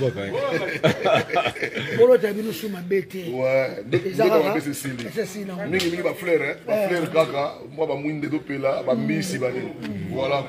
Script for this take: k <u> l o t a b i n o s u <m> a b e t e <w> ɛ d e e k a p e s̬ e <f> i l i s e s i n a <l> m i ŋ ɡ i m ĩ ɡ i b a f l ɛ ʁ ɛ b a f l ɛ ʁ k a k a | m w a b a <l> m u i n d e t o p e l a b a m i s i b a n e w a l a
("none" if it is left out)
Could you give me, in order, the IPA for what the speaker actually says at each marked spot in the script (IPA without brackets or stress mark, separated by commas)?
o, m, w, s, none, none